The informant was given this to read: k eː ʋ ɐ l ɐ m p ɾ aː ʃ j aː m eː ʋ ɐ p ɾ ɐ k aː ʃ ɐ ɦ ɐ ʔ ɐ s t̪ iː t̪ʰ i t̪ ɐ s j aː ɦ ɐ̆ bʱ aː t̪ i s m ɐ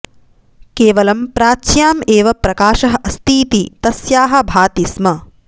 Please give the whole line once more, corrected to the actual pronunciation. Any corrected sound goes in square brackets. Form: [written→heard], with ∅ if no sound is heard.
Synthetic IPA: k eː ʋ ɐ l ɐ m p ɾ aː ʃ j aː m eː ʋ ɐ p ɾ ɐ k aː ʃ ɐ ɦ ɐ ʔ ɐ s t̪ iː [t̪ʰ→t̪] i t̪ ɐ s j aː ɦ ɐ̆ bʱ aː t̪ i s m ɐ